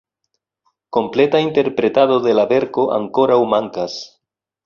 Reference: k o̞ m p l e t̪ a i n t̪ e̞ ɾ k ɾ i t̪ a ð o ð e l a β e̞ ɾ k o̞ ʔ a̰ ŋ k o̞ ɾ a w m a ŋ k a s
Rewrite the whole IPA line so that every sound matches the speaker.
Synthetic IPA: k o̞ m p l e t̪ a i n t̪ e̞ ɾ p ɾ e t̪ a ð o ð e l a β e̞ ɾ k o̞ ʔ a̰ ŋ k o̞ ɾ a w m a ŋ k a s